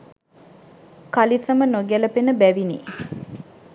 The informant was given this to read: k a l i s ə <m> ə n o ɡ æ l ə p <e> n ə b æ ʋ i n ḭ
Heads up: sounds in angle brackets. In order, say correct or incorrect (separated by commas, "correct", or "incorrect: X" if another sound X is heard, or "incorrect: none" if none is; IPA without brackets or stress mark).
correct, correct